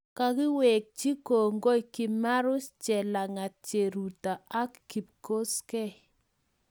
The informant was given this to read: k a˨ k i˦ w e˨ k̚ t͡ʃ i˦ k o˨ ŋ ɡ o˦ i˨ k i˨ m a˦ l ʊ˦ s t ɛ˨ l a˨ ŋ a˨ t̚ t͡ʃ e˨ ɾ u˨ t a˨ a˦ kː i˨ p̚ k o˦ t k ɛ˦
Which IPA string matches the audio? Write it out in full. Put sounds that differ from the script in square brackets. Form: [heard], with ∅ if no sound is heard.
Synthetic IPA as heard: k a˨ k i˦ w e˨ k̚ t͡ʃ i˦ k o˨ ŋ ɡ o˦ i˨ k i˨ m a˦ [ɾ] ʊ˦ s [t͡ʃ] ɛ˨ l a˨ ŋ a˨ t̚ t͡ʃ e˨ ɾ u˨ t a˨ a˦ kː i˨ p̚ k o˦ [s] k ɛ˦